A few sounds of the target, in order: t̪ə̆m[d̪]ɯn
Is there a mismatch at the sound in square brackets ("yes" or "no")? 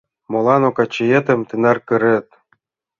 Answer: yes